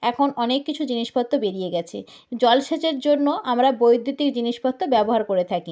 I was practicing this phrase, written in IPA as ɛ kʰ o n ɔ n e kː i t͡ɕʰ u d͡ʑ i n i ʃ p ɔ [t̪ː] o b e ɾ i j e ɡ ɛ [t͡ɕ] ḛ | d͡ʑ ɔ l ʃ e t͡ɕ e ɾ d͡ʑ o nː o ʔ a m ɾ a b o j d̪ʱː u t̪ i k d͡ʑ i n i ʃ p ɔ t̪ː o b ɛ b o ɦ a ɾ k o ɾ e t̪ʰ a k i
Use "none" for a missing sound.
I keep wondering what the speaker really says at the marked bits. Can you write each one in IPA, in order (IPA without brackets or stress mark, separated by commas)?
t̪ː, t͡ɕʰ